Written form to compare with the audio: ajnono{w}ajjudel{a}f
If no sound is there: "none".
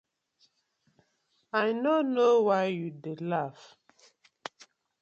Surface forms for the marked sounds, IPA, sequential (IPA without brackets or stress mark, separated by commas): w, a